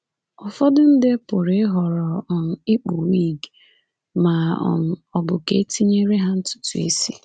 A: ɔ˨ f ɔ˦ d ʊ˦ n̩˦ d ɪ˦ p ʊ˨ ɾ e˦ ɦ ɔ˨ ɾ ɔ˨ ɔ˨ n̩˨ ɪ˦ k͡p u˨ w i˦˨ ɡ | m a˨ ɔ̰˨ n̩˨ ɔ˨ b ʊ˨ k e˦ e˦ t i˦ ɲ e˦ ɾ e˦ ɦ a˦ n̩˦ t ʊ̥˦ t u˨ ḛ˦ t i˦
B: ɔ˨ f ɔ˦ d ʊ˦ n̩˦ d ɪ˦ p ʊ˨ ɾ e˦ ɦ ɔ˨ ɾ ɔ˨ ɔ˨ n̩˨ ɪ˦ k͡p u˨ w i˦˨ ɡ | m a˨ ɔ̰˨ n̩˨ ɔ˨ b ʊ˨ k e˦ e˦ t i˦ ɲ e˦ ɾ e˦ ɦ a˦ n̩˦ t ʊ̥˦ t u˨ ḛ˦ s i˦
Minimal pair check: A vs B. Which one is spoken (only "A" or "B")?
B